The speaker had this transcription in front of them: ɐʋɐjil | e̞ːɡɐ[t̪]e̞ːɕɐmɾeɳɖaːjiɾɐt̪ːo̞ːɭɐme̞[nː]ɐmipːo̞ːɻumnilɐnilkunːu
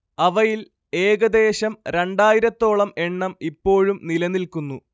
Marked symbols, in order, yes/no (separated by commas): no, no